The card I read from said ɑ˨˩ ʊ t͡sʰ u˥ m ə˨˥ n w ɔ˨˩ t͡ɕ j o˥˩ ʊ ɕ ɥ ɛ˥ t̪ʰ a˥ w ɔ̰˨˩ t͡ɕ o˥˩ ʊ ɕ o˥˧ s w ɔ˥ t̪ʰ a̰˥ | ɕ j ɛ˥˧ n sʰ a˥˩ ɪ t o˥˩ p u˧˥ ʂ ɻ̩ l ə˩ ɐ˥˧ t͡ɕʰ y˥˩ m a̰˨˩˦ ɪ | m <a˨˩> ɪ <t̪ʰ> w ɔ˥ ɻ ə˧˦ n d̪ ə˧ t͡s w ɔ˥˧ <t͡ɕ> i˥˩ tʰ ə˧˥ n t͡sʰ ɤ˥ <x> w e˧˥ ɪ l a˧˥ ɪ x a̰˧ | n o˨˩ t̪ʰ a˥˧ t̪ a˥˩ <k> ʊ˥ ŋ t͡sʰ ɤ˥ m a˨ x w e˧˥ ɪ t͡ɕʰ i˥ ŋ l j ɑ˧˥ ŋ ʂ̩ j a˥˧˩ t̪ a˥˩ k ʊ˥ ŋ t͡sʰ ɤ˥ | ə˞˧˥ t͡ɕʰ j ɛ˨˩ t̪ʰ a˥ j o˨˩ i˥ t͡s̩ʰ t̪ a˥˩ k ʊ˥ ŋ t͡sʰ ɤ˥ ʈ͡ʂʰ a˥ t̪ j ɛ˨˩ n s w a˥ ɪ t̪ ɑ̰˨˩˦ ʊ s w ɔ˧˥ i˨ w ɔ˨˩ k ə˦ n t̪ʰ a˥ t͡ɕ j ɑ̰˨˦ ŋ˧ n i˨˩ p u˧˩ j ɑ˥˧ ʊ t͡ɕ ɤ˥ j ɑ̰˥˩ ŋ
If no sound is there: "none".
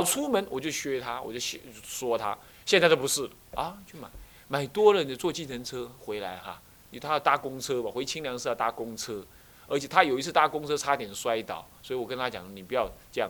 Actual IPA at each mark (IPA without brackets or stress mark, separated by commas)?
a˨˩, t̪, t͡ɕ, x, k